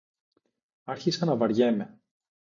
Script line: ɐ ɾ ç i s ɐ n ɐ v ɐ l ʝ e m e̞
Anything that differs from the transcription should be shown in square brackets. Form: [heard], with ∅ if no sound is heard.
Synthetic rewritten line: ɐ ɾ ç i s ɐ n ɐ v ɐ [ɾ] ʝ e m e̞